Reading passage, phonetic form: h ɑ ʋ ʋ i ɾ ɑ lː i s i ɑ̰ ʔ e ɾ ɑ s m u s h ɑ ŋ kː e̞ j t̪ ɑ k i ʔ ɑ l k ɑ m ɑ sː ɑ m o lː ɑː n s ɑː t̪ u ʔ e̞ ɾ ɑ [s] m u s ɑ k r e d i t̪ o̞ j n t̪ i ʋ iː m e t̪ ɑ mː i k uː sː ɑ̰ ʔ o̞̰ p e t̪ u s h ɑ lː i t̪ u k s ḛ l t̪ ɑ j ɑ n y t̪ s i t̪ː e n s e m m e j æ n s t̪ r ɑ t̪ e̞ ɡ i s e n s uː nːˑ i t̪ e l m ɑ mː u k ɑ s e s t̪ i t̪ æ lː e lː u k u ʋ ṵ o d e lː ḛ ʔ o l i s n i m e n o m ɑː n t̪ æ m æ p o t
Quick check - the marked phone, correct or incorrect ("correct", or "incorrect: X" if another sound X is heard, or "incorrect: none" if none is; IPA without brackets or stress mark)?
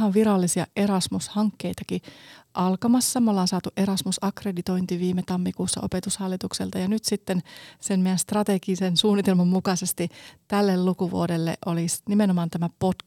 correct